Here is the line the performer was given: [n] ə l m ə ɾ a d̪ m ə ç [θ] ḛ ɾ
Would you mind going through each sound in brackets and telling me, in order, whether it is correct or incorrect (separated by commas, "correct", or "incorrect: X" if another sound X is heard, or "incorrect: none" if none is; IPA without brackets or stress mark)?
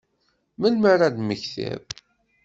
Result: incorrect: m, correct